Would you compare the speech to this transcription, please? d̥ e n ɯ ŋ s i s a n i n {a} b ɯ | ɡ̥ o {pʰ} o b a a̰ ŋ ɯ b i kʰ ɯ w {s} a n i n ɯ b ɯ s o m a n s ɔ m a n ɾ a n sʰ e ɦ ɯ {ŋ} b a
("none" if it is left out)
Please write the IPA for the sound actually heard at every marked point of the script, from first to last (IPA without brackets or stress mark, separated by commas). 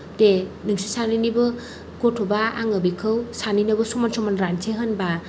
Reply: i, tʰ, s, n